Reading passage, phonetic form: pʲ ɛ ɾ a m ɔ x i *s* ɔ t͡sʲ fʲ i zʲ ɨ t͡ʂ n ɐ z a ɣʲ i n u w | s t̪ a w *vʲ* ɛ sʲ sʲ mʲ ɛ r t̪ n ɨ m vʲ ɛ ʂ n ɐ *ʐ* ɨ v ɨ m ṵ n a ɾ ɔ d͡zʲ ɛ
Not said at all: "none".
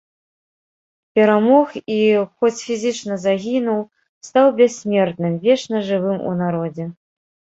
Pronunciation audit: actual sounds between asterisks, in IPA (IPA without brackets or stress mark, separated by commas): x, bʲ, ʐ